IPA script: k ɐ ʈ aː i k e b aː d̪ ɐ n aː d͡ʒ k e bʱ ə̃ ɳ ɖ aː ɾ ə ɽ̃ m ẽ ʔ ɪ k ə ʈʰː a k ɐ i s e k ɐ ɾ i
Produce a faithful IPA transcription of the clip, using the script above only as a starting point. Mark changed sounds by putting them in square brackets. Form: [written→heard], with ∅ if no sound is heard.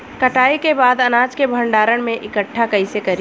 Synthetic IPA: k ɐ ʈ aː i k e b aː d̪ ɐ n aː d͡ʒ k e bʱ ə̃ ɳ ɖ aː ɾ ə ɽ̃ m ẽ ʔ ɪ k ə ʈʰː a k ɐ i s e k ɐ ɾ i